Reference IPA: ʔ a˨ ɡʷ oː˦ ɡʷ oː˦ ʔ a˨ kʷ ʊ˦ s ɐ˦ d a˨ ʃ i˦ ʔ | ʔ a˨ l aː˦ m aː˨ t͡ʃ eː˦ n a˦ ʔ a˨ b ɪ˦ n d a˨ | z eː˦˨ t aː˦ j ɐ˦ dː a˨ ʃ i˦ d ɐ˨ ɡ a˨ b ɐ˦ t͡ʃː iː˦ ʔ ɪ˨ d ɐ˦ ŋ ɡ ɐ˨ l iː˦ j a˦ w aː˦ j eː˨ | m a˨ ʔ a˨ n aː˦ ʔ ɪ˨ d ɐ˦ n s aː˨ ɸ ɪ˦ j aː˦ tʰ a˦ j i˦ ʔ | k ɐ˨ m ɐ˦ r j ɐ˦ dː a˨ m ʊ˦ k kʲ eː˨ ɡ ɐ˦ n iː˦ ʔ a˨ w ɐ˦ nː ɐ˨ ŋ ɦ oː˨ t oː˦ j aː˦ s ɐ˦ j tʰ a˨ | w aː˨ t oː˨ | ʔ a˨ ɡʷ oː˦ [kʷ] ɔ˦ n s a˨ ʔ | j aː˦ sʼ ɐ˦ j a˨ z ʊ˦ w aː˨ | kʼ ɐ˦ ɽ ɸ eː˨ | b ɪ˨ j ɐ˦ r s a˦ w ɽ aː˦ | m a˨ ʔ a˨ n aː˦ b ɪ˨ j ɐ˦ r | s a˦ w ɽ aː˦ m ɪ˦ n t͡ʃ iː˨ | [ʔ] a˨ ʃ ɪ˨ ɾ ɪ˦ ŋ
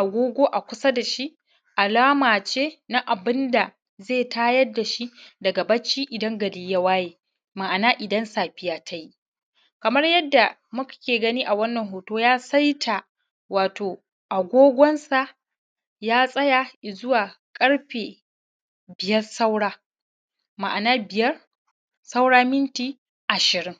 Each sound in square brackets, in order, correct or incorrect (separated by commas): incorrect, correct